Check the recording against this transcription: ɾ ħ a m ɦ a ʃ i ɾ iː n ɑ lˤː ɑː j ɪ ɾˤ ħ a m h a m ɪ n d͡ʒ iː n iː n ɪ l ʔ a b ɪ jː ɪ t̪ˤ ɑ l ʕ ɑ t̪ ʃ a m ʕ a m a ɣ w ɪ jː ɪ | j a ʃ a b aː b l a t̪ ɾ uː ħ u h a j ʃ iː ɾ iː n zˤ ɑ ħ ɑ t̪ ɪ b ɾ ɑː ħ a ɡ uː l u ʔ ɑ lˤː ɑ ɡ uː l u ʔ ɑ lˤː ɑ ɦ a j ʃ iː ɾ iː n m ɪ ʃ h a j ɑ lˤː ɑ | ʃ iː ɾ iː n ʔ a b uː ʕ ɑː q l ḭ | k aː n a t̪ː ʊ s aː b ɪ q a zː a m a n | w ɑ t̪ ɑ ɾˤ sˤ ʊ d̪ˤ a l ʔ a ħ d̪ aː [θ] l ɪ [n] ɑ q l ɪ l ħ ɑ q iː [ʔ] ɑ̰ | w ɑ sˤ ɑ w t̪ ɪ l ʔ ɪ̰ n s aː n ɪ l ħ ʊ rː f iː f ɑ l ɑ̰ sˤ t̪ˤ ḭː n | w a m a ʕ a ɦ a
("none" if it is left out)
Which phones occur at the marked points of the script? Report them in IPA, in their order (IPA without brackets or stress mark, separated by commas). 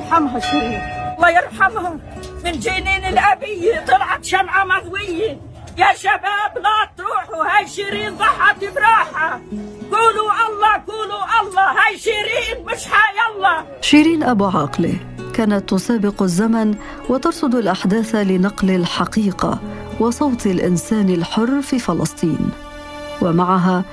θ, n, q